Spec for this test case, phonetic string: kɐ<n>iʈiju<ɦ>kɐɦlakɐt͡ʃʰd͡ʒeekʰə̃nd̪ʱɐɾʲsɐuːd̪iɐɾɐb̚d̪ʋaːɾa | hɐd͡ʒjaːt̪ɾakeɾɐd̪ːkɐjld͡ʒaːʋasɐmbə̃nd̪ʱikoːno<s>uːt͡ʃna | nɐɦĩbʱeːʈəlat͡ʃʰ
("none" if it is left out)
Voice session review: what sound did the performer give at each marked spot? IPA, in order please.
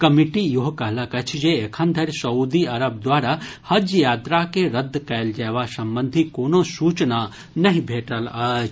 m, ɦ, s

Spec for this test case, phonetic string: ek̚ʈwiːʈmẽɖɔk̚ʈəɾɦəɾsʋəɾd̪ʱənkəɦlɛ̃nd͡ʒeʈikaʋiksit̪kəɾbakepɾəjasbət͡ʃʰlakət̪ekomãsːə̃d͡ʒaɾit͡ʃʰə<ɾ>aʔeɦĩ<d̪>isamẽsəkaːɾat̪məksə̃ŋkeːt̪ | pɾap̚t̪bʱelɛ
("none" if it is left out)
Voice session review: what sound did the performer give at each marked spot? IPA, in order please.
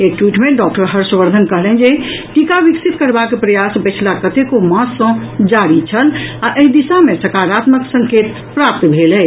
l, d̪

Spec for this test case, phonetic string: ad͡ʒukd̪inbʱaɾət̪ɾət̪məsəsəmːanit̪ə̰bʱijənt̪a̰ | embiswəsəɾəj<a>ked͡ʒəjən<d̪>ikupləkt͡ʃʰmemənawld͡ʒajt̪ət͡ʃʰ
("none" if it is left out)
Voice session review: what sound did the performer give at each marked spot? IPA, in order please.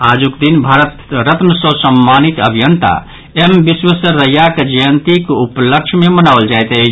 a, t̪

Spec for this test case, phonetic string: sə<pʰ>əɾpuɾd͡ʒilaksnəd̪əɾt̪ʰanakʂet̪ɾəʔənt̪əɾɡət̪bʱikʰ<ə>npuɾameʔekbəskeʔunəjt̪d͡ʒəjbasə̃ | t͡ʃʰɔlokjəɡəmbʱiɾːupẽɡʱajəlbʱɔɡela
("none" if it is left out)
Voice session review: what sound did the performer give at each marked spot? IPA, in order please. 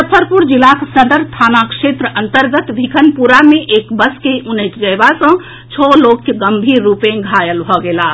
pʰ, ə

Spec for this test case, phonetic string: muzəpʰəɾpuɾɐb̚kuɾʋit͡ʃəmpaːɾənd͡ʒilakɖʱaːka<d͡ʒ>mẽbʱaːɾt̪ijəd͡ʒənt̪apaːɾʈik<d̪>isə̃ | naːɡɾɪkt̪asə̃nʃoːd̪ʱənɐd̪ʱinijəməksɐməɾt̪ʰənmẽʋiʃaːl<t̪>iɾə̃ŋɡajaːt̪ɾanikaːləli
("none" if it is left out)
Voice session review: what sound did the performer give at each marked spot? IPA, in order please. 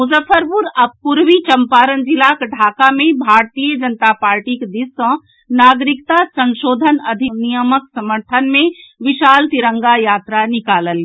none, d̪, t̪

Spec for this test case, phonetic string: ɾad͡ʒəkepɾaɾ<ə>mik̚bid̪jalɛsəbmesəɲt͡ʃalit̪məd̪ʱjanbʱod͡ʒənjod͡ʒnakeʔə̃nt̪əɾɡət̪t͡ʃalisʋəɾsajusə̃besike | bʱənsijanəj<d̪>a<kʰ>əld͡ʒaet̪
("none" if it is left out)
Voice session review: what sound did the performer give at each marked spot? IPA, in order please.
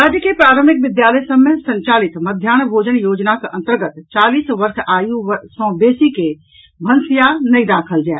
ə, d̪, kʰ

